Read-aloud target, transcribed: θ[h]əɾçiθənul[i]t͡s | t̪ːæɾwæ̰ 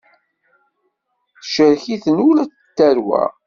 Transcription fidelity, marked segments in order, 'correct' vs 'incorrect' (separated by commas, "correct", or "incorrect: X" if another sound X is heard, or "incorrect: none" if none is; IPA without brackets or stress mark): incorrect: ʃ, incorrect: æ